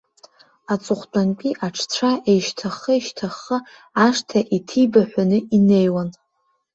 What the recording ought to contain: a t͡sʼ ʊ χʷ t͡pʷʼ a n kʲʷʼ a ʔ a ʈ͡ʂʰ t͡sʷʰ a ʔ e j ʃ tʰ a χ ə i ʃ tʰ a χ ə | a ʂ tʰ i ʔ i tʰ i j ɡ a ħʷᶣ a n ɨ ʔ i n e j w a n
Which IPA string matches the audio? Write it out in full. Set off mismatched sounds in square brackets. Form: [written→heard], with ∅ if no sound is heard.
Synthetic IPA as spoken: a t͡sʼ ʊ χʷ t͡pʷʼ a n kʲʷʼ [a→i] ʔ a ʈ͡ʂʰ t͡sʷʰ a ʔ e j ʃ tʰ a χ ə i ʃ tʰ a χ ə | a ʂ tʰ [i→a] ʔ i tʰ i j [ɡ→b] a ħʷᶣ a n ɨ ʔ i n e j w a n